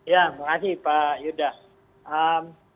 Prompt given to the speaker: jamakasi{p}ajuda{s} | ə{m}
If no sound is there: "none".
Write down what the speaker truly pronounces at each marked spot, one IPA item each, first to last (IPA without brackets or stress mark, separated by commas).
p, s, m